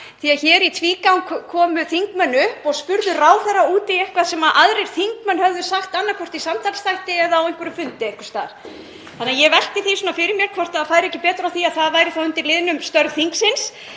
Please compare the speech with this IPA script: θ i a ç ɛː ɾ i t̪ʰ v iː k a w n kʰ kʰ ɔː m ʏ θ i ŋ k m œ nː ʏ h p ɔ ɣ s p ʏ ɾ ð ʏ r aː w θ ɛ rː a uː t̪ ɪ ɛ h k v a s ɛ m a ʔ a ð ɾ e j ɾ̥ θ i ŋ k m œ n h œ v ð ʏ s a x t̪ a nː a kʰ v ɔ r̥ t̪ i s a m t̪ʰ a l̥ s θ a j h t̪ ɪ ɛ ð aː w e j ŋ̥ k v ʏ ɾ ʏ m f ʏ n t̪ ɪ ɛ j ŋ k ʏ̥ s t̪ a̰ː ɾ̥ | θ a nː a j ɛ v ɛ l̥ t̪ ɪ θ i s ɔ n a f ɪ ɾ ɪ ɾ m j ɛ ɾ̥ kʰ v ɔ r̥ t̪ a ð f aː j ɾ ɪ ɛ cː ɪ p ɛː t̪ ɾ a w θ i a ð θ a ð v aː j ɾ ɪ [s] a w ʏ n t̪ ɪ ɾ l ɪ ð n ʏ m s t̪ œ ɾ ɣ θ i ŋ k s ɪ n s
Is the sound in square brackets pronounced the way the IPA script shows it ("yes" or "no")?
no